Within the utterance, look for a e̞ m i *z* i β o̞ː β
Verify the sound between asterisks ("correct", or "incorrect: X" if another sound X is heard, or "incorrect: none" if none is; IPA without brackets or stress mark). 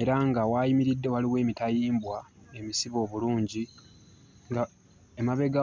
incorrect: s